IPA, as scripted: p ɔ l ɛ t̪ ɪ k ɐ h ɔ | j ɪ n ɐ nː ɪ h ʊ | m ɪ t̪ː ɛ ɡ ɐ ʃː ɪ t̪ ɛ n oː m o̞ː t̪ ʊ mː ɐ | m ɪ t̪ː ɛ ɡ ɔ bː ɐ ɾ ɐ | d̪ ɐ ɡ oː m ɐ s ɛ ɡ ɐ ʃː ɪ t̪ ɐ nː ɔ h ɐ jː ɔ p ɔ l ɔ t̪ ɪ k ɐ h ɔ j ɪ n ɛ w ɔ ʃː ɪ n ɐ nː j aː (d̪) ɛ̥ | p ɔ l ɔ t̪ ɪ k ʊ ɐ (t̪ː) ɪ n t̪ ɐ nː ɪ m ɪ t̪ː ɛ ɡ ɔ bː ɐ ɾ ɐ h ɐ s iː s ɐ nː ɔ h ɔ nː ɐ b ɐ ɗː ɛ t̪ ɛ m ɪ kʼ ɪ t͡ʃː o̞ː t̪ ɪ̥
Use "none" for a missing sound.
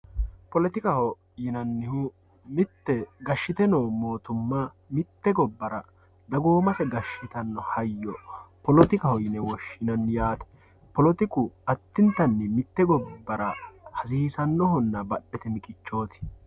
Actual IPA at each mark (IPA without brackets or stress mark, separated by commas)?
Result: t̪, t̪ː